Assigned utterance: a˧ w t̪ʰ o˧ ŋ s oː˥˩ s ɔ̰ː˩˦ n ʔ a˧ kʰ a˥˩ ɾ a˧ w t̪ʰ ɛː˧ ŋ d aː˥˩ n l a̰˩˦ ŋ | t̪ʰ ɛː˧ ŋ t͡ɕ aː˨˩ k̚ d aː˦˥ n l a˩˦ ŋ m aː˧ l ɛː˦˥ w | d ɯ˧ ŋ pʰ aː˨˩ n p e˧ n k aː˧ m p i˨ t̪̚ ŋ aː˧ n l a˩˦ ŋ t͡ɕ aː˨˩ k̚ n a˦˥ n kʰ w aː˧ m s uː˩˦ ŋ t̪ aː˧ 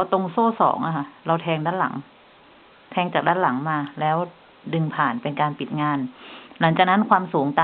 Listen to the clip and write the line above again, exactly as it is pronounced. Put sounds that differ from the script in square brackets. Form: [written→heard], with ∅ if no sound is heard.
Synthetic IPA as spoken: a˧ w [t̪ʰ→t̪] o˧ ŋ s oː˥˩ s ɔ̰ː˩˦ [n→ŋ] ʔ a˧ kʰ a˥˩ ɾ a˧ w t̪ʰ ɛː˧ ŋ d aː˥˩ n l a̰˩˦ ŋ | t̪ʰ ɛː˧ ŋ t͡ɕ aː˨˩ k̚ d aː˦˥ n l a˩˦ ŋ m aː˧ l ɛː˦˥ w | d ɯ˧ ŋ pʰ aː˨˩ n p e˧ n k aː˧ [m→n] p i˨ t̪̚ ŋ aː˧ n l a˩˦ ŋ t͡ɕ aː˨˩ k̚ n a˦˥ n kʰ w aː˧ m s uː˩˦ ŋ t̪ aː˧